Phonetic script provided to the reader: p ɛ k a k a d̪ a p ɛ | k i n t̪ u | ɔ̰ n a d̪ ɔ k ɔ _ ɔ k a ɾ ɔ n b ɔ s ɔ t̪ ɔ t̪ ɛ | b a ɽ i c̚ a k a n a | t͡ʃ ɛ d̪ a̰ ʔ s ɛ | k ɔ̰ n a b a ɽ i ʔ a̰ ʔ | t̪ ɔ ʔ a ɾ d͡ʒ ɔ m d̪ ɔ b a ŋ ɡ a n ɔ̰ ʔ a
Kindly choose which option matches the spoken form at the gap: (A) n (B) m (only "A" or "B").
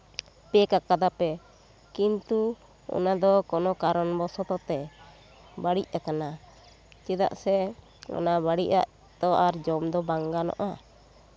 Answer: A